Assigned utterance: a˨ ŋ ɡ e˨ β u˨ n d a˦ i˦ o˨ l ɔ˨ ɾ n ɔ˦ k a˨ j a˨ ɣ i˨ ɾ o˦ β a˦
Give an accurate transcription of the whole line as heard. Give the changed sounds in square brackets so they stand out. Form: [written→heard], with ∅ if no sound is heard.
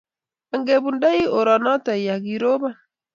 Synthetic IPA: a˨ ŋ ɡ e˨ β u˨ n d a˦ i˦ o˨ [l→ɾ] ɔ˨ [ɾ→∅] n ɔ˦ [k→t] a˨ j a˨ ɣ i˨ ɾ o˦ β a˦